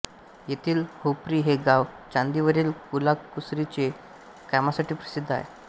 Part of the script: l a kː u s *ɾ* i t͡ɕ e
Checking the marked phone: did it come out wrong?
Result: no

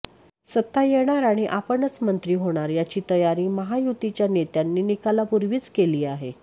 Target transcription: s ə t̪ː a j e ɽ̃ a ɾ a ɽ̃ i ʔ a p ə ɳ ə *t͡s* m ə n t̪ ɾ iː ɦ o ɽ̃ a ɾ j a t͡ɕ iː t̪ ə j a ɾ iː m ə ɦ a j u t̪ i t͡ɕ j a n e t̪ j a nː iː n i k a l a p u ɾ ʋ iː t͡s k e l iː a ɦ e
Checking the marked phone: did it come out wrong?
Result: no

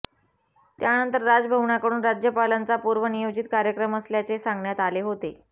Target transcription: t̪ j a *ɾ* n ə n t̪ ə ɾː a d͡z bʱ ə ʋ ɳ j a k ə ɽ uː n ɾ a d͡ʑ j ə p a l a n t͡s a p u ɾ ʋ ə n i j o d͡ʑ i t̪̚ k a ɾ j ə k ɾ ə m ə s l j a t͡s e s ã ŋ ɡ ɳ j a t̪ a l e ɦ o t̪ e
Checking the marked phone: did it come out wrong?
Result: yes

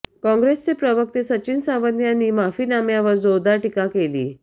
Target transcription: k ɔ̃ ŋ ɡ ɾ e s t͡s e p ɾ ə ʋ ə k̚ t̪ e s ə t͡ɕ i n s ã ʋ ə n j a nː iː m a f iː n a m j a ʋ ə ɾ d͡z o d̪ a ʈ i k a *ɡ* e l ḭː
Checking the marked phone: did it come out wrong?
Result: yes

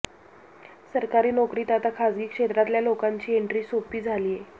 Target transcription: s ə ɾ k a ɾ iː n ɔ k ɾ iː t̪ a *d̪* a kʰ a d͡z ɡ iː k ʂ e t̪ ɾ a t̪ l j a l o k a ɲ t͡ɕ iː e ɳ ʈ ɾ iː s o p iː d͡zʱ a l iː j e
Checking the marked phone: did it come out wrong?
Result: yes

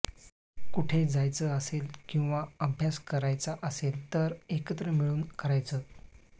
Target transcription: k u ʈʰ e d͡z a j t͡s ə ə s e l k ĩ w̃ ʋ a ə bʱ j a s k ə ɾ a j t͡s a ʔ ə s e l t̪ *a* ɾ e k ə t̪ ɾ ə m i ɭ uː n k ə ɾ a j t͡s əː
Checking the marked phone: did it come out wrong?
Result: yes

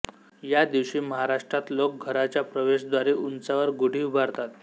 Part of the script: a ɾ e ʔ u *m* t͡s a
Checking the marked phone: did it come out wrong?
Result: yes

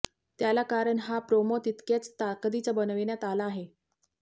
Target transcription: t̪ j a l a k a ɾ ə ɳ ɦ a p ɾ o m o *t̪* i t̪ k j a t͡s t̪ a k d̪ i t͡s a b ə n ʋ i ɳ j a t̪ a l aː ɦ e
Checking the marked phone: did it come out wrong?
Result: no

